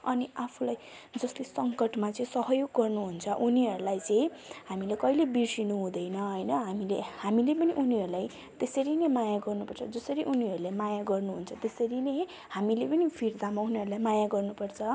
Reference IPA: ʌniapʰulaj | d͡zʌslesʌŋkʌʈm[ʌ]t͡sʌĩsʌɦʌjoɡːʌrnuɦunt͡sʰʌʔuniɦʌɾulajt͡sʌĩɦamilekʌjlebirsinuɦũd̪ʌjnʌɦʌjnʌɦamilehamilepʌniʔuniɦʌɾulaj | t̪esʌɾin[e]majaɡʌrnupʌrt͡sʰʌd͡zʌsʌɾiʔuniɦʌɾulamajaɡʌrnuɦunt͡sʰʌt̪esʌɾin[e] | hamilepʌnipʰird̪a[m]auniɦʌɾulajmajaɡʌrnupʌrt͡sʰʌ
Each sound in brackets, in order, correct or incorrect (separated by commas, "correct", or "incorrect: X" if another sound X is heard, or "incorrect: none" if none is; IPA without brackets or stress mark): incorrect: a, correct, correct, correct